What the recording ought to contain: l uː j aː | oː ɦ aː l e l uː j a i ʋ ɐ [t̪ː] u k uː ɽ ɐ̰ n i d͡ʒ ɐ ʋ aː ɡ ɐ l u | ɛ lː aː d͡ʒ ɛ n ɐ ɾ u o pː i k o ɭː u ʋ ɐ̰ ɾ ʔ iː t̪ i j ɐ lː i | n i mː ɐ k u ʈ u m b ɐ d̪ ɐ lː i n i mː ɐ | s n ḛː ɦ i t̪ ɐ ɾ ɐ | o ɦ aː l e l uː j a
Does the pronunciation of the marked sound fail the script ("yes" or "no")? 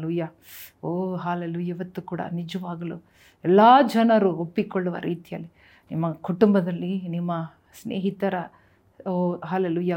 no